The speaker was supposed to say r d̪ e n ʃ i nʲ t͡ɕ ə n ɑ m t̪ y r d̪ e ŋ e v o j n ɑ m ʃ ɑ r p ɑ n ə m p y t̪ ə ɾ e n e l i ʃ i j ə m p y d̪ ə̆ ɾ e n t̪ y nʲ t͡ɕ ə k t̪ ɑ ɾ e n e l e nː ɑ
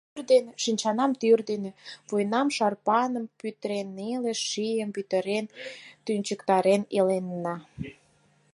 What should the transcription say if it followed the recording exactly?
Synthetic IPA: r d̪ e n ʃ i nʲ t͡ɕ ɑ n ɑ m t̪ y r d̪ e n e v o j n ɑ m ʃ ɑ r p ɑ n ə m p y t̪ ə ɾ e n e l e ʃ i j ə m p y t̪ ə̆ ɾ e n t̪ y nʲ t͡ɕ ə k t̪ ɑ ɾ e n e l e nː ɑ